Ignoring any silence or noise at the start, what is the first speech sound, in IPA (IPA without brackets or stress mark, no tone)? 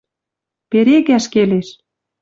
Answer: p